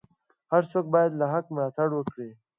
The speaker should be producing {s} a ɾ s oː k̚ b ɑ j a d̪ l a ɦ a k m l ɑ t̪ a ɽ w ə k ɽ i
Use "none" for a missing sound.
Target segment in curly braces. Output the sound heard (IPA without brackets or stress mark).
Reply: h